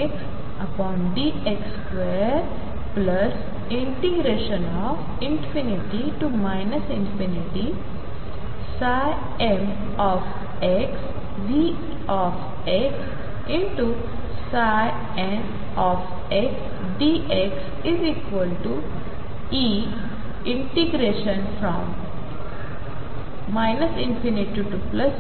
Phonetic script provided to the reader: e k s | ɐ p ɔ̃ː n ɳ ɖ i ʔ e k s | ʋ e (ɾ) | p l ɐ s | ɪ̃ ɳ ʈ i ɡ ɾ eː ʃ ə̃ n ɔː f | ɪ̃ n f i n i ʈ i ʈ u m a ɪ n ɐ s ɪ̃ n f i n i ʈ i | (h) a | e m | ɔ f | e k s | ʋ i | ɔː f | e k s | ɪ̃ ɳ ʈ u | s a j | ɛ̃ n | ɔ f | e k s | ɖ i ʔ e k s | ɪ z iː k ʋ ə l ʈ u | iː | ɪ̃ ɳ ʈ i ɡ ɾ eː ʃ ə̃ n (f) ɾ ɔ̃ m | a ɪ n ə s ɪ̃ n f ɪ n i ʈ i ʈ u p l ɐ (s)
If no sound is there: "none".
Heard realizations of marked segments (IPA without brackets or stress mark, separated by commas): ɾ, s, f, s